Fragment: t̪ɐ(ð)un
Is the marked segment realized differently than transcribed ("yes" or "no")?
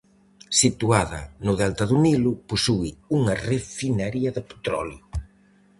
no